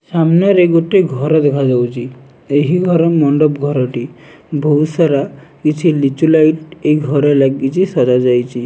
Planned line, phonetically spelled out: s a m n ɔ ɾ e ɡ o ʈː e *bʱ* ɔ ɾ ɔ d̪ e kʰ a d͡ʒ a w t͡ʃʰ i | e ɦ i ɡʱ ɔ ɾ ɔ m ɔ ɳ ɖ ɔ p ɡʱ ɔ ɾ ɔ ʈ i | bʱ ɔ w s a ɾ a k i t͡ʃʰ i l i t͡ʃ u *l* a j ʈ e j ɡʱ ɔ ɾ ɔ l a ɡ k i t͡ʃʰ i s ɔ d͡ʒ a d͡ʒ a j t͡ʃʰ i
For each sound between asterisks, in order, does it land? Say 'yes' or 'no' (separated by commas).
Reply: no, yes